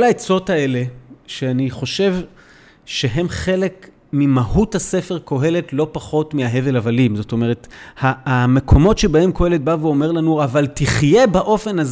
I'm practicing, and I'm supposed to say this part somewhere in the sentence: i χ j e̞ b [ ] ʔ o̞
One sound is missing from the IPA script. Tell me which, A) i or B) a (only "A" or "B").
B